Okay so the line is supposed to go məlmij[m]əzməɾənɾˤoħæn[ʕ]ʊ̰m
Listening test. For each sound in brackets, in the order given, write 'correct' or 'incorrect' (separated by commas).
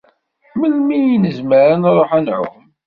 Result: incorrect, correct